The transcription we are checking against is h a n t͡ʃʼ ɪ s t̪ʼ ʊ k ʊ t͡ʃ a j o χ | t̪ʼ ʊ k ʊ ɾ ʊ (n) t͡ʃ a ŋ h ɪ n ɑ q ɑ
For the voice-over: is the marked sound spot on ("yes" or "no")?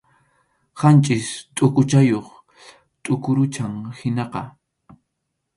no